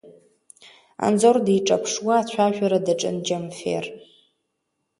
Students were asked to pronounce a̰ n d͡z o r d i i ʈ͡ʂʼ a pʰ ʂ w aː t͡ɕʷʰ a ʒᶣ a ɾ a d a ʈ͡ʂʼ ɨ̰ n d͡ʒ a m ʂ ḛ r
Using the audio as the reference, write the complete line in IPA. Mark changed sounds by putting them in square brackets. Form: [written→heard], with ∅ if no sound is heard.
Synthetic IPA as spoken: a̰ n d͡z o r d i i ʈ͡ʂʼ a pʰ ʂ w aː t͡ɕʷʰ a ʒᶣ a ɾ a d a ʈ͡ʂʼ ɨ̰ n d͡ʒ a m [ʂ→f] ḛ r